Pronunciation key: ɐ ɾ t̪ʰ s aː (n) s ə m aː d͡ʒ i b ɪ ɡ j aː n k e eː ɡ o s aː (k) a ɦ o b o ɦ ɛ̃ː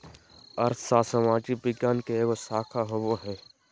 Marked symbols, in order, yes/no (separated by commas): no, no